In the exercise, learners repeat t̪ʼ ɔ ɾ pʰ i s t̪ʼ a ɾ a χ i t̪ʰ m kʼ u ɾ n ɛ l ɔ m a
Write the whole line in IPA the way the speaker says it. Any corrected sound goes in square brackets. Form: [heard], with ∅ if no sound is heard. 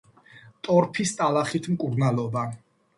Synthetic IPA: t̪ʼ ɔ ɾ pʰ i s t̪ʼ a [l] a χ i t̪ʰ m kʼ u ɾ n [a] l ɔ [b] a